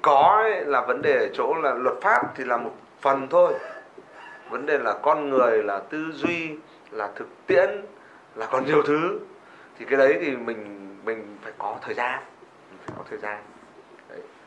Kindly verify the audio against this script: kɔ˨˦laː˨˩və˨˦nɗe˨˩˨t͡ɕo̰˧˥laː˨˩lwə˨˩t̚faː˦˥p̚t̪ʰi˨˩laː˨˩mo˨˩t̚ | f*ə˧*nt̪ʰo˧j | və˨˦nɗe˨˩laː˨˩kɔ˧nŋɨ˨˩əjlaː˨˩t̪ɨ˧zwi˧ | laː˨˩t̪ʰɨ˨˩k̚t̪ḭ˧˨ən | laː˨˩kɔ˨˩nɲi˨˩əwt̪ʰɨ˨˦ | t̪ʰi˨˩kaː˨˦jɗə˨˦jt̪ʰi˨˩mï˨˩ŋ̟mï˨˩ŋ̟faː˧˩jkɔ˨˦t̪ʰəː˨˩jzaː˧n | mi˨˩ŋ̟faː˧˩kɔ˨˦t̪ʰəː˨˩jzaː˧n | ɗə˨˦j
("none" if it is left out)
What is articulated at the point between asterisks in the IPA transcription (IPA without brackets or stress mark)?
ə˨˩